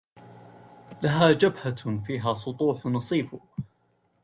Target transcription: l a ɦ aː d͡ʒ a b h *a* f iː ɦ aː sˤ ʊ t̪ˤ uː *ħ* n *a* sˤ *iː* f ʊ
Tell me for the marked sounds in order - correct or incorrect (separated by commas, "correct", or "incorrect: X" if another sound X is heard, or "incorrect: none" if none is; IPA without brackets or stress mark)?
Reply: correct, correct, incorrect: ɑ, correct